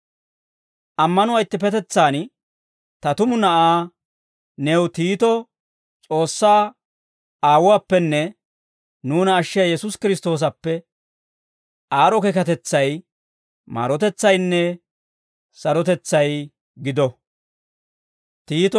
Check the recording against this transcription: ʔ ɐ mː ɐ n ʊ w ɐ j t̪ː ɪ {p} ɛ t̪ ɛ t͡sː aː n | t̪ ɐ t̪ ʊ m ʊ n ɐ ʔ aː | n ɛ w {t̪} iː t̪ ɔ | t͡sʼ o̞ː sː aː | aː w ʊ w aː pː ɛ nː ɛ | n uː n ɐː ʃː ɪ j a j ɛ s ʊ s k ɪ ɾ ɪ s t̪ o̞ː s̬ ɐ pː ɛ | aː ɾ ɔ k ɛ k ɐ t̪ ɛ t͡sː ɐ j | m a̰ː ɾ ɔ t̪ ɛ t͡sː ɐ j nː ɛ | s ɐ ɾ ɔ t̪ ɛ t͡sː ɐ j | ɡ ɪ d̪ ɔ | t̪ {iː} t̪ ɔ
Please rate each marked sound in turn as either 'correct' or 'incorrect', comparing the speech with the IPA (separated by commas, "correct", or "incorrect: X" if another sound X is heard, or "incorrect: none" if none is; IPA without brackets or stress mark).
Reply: correct, correct, correct